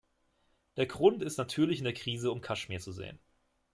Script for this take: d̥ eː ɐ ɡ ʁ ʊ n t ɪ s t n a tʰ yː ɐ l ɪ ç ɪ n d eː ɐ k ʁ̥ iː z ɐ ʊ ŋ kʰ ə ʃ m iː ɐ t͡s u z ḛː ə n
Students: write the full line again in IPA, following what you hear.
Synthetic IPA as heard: d̥ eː ɐ ɡ ʁ ʊ n t ɪ s t n a tʰ yː ɐ l ɪ ç ɪ n d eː ɐ k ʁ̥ iː z ə ʊ m kʰ a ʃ m iː ɐ t͡s u z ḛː ə n